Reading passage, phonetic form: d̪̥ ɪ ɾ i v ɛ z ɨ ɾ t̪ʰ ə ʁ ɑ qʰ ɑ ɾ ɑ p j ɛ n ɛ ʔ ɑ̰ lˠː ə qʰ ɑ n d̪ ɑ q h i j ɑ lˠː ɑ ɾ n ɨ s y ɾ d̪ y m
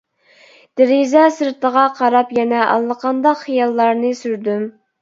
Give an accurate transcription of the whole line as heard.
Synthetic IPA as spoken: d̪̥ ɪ ɾ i z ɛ s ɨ ɾ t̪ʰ ə ʁ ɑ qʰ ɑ ɾ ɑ p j ɛ n ɛ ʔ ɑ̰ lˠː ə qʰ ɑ n d̪ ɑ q χ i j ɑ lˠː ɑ ɾ n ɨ s y ɾ d̪ y m